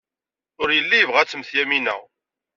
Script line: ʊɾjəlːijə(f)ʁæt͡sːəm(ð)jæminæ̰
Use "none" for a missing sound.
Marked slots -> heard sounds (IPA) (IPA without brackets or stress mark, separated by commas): v, θ